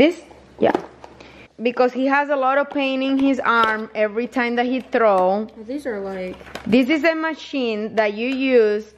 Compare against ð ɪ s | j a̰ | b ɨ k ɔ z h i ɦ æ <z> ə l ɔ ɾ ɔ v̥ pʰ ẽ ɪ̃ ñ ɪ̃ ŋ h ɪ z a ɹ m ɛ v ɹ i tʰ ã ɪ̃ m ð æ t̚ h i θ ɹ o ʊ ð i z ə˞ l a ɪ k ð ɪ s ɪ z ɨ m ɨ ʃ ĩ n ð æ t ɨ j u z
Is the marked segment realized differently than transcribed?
no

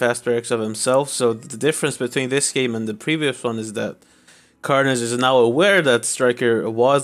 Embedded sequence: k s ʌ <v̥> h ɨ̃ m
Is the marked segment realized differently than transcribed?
no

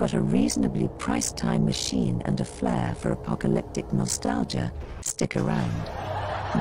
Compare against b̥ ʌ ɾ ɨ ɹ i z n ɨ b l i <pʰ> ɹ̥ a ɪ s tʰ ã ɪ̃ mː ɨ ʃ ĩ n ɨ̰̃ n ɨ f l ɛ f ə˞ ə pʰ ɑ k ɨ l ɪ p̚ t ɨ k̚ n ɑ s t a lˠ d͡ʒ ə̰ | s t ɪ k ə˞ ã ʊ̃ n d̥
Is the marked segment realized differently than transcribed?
no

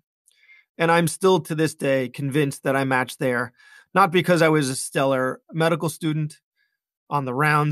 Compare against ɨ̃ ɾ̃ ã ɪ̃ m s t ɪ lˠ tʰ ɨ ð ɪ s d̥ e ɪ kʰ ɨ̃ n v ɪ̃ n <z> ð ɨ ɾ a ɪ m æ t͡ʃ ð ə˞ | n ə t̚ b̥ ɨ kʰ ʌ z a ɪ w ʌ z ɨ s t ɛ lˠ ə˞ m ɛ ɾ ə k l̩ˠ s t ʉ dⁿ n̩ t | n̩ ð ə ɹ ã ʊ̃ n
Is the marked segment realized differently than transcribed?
yes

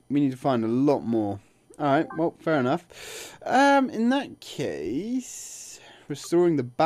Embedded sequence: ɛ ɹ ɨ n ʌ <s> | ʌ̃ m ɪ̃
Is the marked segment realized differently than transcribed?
yes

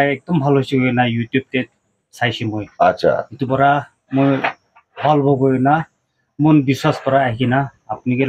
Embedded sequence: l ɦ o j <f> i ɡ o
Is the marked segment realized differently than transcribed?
yes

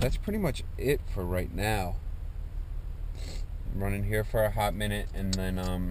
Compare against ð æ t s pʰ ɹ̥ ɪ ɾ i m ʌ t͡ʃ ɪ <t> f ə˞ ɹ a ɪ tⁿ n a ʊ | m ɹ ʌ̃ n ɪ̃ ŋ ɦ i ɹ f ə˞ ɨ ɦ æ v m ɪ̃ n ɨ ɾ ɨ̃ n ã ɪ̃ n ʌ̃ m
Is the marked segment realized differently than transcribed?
no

